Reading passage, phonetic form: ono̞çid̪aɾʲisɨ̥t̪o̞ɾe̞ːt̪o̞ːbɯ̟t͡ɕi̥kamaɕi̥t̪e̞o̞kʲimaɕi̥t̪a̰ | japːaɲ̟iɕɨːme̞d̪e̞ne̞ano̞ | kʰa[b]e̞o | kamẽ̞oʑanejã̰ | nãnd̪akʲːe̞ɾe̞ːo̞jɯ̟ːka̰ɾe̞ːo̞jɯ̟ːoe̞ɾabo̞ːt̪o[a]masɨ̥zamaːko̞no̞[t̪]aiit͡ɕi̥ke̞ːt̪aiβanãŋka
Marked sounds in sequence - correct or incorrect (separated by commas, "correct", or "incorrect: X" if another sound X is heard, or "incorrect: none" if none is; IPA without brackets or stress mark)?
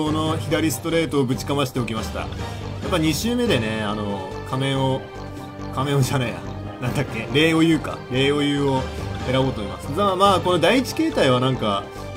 incorrect: m, incorrect: i, incorrect: d̪